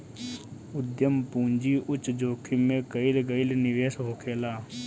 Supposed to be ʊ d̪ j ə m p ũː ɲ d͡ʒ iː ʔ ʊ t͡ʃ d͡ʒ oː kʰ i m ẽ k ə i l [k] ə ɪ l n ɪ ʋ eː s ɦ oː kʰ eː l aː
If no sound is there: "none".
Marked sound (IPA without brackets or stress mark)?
ɡ